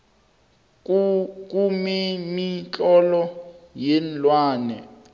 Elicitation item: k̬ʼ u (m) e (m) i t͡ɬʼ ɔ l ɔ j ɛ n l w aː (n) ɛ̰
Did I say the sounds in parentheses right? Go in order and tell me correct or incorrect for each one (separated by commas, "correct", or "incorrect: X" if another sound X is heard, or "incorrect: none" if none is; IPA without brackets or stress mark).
correct, correct, correct